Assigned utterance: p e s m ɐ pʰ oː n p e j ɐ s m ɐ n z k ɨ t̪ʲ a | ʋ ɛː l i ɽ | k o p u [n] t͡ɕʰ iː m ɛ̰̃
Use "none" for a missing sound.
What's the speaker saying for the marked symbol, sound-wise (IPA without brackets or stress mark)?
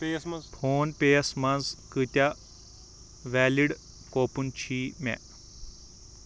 n